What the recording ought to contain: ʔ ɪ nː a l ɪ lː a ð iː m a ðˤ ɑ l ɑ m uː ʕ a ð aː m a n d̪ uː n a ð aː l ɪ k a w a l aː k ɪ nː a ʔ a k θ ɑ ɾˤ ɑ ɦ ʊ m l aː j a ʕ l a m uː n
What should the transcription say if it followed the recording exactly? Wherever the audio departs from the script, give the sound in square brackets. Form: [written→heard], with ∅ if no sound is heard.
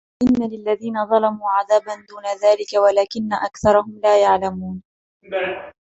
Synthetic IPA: ʔ ɪ nː a l ɪ lː a ð iː [m→n] a ðˤ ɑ l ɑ m uː ʕ a ð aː [m→b] a n d̪ uː n a ð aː l ɪ k a w a l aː k ɪ nː a ʔ a k θ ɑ ɾˤ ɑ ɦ ʊ m l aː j a ʕ l a m uː n